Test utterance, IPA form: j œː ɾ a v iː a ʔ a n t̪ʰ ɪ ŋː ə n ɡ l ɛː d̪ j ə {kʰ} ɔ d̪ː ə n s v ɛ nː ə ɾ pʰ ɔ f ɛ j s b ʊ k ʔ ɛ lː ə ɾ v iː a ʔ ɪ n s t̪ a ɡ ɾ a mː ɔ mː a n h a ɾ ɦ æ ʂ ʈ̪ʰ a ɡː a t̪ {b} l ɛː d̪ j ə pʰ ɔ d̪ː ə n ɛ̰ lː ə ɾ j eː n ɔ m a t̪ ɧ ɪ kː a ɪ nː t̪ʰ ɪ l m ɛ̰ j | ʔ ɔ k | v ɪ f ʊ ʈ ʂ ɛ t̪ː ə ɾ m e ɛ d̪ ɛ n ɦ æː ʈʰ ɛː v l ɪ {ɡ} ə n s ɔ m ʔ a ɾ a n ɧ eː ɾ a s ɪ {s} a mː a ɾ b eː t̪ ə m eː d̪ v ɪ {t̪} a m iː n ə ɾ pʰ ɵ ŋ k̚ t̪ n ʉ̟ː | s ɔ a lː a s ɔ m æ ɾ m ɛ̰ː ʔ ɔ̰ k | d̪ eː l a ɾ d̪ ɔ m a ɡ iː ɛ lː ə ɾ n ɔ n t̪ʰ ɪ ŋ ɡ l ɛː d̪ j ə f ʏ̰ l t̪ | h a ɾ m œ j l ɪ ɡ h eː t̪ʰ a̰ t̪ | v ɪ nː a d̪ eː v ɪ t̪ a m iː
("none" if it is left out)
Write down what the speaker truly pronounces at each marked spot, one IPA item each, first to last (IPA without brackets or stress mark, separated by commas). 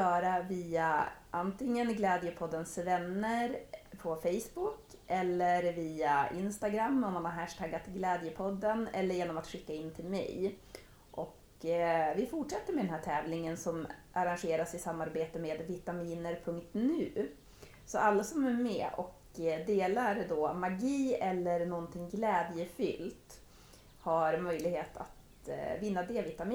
pʰ, ɡ, ŋ, s, t̪